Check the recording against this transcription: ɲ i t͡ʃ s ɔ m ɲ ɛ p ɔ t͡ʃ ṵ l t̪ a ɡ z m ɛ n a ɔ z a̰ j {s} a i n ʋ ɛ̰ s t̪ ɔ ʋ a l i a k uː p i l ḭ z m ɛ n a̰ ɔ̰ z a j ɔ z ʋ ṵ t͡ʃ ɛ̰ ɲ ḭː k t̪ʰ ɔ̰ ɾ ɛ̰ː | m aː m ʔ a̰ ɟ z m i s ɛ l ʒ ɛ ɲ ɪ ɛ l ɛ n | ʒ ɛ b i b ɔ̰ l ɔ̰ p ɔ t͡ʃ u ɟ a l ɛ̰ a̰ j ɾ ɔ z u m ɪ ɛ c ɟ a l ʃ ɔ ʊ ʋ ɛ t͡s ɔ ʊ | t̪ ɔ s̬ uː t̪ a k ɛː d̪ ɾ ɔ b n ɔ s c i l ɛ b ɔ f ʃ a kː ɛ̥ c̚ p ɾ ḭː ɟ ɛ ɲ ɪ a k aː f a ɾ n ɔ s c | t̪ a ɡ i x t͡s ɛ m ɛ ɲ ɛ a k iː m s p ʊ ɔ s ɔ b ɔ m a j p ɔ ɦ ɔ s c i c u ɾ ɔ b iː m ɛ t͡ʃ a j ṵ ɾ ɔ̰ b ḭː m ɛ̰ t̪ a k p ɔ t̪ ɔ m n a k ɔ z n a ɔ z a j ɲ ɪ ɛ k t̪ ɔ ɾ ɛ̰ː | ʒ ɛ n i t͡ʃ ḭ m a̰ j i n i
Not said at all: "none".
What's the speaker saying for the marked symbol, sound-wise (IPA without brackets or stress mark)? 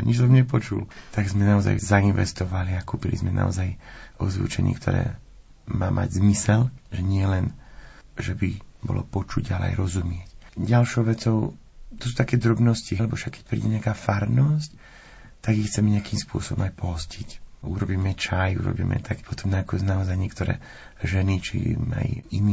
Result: z